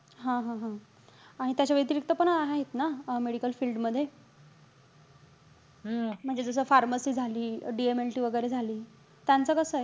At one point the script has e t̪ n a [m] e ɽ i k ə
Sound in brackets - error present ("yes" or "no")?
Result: no